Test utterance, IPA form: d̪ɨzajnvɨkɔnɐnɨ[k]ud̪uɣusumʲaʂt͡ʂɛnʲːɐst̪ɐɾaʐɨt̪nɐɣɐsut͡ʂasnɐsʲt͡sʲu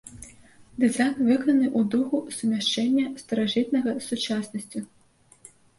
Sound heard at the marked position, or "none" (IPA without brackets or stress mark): ʔ